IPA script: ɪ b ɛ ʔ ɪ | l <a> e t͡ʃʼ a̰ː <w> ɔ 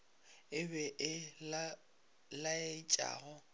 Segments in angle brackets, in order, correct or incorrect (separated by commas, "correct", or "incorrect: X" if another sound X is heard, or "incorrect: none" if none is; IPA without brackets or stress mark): correct, incorrect: ɣ